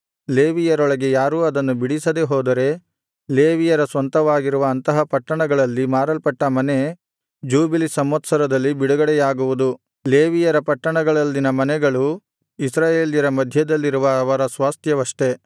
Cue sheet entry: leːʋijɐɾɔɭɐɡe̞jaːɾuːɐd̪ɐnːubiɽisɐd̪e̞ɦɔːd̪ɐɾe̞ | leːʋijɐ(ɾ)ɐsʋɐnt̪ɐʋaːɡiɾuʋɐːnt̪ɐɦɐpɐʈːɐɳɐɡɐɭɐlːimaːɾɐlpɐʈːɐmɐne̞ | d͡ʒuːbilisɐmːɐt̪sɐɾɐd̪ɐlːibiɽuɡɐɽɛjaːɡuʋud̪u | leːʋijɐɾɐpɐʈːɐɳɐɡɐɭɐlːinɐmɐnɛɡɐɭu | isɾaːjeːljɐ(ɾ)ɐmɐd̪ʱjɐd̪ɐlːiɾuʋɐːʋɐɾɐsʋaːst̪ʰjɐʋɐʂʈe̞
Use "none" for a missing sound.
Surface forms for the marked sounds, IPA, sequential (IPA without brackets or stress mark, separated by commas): ɾ, ɾ